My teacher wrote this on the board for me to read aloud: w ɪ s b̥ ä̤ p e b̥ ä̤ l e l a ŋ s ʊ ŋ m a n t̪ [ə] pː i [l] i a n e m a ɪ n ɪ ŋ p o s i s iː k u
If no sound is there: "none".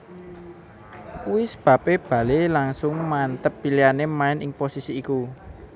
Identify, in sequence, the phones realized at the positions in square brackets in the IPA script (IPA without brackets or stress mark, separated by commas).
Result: ə, l